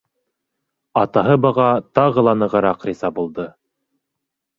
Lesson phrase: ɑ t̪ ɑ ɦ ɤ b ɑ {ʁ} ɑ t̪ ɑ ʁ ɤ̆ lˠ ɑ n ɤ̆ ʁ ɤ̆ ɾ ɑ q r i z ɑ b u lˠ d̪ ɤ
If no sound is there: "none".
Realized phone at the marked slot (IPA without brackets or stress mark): ʁ